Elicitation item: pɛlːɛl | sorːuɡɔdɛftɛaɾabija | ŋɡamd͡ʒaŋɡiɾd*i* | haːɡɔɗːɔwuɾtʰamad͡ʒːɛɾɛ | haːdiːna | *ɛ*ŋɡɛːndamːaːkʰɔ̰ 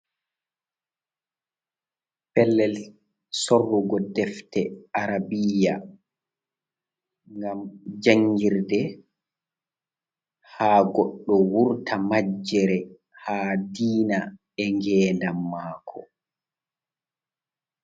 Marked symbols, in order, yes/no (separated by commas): no, yes